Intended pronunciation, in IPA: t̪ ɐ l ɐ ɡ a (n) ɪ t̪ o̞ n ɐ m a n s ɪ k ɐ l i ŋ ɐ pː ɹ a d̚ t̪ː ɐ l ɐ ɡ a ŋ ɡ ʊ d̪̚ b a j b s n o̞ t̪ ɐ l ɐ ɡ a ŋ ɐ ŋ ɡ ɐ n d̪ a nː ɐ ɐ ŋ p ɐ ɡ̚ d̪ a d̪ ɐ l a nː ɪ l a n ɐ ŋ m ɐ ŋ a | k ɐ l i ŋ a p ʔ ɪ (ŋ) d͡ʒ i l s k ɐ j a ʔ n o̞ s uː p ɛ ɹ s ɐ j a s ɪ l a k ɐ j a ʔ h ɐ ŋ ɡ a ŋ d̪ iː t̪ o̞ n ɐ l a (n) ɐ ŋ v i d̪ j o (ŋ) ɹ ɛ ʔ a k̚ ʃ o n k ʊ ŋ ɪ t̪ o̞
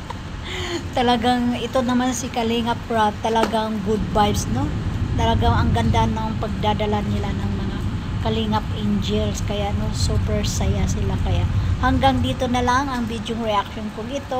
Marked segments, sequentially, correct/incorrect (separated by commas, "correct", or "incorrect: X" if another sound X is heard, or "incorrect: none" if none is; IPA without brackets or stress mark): incorrect: ŋ, incorrect: n, incorrect: ŋ, correct